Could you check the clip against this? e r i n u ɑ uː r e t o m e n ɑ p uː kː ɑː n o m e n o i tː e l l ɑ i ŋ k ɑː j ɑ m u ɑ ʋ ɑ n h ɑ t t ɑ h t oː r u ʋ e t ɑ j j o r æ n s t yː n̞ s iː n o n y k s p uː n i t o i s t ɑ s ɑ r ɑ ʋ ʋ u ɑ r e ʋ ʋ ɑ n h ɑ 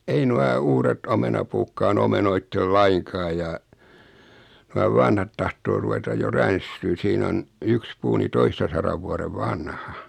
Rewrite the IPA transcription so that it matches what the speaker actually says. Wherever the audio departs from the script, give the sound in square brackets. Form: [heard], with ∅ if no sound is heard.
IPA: e [∅] i n u ɑ uː r e t o m e n ɑ p uː kː ɑː n o m e n o i tː e l l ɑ i ŋ k ɑː j ɑ [n] u ɑ ʋ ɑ n h ɑ t t ɑ h t oː r u ʋ e t ɑ j j o r æ n s t yː n̞ s iː n o n y k s p uː n i t o i s t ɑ s ɑ r ɑ ʋ ʋ u ɑ r e ʋ ʋ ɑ n h ɑ